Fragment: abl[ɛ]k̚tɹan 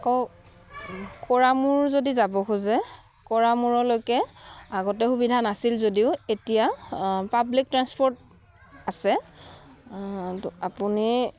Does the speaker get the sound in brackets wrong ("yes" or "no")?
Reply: yes